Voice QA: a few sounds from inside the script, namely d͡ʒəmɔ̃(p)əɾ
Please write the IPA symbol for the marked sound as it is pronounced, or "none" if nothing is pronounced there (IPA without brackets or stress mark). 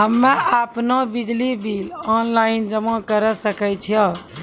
k